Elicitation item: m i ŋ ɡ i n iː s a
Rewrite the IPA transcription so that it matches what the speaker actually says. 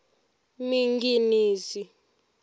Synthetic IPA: m i ŋ ɡ i n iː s i